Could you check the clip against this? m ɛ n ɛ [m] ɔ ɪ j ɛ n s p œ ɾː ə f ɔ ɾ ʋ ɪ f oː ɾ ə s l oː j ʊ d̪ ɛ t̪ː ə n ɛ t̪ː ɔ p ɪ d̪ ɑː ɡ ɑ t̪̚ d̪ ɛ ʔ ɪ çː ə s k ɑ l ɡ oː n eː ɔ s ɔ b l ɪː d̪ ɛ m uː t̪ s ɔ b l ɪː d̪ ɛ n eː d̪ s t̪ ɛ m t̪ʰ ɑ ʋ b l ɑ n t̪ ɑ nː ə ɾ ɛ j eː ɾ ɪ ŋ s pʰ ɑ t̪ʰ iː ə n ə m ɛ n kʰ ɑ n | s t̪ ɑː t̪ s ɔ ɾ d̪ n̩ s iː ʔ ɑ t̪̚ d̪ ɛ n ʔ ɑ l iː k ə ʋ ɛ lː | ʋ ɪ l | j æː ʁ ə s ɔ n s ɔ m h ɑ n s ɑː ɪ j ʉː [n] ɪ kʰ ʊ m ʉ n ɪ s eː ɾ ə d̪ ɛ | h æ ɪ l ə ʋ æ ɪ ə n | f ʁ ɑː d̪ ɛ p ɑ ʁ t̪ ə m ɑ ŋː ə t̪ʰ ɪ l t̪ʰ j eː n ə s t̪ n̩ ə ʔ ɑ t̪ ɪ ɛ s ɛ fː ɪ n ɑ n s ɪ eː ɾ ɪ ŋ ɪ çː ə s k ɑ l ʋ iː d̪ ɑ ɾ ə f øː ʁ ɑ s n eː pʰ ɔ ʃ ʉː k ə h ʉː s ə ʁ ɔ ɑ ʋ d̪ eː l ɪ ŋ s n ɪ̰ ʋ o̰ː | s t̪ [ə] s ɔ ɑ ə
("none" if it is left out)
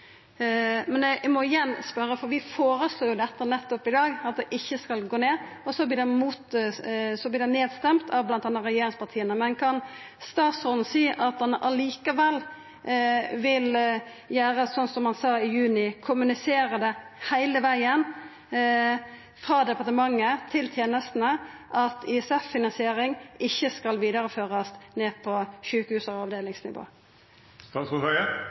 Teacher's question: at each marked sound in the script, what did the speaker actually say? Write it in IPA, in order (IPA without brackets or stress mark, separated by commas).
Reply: m, n, ɑ